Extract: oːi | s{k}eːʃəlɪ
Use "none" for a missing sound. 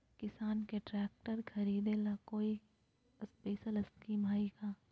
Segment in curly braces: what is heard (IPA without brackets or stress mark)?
p